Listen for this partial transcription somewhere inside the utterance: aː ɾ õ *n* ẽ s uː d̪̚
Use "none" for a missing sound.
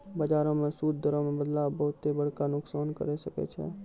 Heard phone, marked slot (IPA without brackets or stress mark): m